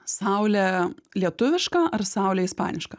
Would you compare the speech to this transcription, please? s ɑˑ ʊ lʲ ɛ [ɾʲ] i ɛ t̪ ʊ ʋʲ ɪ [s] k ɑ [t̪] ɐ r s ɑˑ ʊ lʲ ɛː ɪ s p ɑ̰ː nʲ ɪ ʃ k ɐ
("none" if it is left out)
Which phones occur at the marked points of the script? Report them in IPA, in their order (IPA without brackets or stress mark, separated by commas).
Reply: lʲ, ʃ, none